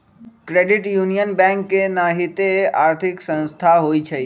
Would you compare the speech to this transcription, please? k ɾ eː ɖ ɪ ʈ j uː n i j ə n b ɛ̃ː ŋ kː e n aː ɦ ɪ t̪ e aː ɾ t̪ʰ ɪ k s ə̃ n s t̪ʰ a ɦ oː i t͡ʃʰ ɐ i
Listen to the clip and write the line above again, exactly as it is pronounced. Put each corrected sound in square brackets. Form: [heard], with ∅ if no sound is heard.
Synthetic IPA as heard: k ɾ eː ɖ ɪ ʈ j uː n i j ə n b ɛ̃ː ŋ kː e n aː ɦ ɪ t̪ e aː ɾ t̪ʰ ɪ k s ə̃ n s t̪ʰ a ɦ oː i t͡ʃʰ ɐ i